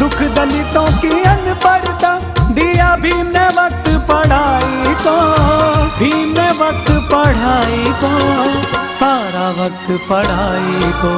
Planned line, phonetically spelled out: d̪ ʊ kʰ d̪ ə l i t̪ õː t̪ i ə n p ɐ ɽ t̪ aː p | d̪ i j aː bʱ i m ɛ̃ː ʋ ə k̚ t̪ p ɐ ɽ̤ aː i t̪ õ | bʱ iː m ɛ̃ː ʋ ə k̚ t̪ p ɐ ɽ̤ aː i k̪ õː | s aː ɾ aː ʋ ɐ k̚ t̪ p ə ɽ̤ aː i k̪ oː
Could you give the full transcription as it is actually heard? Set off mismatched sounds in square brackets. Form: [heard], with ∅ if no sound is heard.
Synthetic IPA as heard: d̪ ʊ kʰ d̪ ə l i t̪ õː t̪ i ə n p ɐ ɽ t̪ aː [∅] | d̪ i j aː bʱ i m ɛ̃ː ʋ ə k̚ t̪ p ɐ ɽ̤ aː i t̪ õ | bʱ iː m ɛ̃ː ʋ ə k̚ t̪ p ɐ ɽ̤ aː i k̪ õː | s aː ɾ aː ʋ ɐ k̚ t̪ p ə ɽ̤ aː i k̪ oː

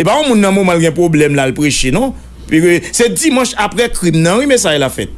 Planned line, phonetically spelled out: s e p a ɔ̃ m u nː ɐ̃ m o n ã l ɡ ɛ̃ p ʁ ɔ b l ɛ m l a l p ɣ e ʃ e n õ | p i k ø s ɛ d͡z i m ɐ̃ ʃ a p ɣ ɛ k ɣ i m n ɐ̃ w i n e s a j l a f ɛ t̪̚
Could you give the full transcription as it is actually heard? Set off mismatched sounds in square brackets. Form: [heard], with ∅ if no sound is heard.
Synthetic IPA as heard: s e p a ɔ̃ m [ũ] nː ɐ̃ m o [m] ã l ɡ ɛ̃ p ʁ [o] b l ɛ m l a l p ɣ e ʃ e n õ | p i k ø s ɛ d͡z i m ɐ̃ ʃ a p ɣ ɛ k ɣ i m n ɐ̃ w i [m] e s a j l a f ɛ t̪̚

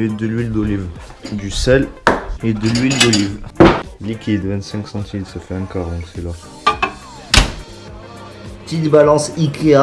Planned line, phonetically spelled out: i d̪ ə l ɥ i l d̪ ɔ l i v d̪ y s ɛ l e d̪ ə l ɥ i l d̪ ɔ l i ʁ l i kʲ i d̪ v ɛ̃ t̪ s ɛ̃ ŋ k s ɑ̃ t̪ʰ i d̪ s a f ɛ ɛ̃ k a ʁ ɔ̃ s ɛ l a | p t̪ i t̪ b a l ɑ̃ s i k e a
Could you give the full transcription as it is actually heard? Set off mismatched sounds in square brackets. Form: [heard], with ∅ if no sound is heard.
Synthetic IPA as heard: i d̪ ə l ɥ i l d̪ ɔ l i v d̪ y s ɛ l e d̪ ə l ɥ i l d̪ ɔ l i [v] l i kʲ i d̪ v ɛ̃ t̪ s ɛ̃ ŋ k s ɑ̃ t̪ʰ i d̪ s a f ɛ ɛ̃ k a ʁ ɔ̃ s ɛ l a | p t̪ i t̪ b a l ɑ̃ s i k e a

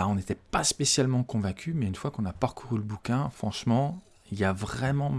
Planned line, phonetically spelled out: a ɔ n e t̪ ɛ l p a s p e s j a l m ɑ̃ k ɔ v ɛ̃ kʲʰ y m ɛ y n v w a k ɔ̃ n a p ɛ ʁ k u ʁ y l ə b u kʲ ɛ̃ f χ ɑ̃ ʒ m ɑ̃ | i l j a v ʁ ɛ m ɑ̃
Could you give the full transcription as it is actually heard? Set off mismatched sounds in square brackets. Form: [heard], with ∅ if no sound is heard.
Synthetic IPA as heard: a [ɔ̃] n e t̪ ɛ [∅] p a s p e s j a l m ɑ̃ k [ɔ̃] v ɛ̃ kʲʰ y m ɛ y n [f] w a k ɔ̃ n a p [a] ʁ k u ʁ y l ə b u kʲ ɛ̃ f χ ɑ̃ [ʃ] m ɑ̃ | i l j a v ʁ ɛ m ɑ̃

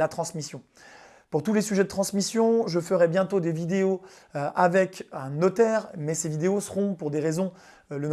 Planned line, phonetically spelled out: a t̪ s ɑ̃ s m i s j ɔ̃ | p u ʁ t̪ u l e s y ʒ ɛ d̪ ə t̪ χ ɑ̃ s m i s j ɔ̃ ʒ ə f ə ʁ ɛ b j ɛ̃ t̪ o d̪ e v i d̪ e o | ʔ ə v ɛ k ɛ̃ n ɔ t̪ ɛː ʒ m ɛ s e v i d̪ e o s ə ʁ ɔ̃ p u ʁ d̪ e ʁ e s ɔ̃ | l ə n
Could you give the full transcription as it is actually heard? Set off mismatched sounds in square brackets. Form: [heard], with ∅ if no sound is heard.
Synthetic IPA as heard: a t̪ [χ] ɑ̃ s m i s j ɔ̃ | p u ʁ t̪ u l e s y ʒ ɛ d̪ ə t̪ χ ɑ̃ s m i s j ɔ̃ ʒ ə f ə ʁ ɛ b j ɛ̃ t̪ o d̪ e v i d̪ e o | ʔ [a] v ɛ k ɛ̃ n ɔ t̪ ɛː [ʁ] m ɛ s e v i d̪ e o s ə ʁ ɔ̃ p u ʁ d̪ e ʁ e [z] ɔ̃ | l ə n

